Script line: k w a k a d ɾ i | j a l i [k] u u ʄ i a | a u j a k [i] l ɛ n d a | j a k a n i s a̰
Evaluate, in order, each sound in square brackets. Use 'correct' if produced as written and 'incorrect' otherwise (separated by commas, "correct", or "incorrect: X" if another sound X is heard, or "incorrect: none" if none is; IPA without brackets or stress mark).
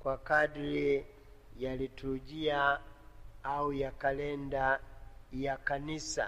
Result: incorrect: t, incorrect: a